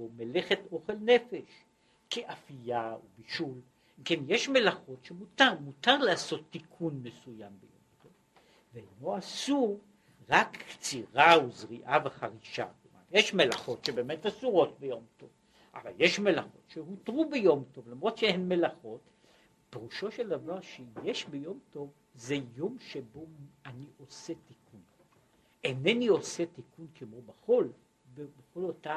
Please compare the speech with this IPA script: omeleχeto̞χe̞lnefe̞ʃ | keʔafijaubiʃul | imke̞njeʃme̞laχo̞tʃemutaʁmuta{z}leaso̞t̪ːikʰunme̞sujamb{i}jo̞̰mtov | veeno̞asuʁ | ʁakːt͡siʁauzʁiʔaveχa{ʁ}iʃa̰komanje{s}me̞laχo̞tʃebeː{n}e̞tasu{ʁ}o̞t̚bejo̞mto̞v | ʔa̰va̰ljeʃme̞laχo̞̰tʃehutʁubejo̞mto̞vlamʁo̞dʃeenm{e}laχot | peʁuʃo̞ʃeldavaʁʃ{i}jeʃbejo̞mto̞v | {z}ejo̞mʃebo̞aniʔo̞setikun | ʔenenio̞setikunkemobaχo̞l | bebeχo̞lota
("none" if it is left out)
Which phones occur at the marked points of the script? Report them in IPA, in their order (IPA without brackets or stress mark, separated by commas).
ʁ, e, ʁ, ʃ, m, ʁ, e, e, z